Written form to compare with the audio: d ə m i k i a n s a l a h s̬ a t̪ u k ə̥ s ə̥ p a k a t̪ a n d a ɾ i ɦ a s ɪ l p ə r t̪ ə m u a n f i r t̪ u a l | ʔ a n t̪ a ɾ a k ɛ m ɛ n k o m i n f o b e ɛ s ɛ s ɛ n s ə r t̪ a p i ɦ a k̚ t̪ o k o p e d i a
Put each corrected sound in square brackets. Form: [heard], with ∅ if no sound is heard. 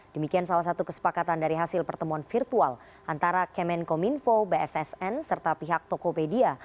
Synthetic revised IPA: d ə m i k i a n s a l a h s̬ a t̪ u k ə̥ s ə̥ p a k a t̪ a n d a ɾ i ɦ a s ɪ l p ə r t̪ ə m u a n f i r t̪ u a l | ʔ a n t̪ a ɾ a k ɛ m ɛ n k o m i n f o b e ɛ s ɛ s ɛ n s ə r t̪ a p i ɦ a k̚ t̪ o k o p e d i a